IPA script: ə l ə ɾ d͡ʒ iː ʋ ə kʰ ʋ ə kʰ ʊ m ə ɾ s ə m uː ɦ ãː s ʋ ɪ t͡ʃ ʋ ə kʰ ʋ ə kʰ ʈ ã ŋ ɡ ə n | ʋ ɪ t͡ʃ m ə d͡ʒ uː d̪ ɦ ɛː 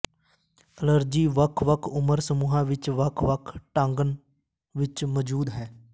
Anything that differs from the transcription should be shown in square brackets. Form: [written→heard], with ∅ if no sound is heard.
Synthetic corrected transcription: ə l ə ɾ d͡ʒ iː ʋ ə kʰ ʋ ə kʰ ʊ m ə ɾ s ə m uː ɦ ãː [s→∅] ʋ ɪ t͡ʃ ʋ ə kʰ ʋ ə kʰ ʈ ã ŋ ɡ ə n | ʋ ɪ t͡ʃ m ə d͡ʒ uː d̪ ɦ ɛː